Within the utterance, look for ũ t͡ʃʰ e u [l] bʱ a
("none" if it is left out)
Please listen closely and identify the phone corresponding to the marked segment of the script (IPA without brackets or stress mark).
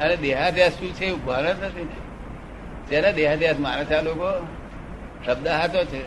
none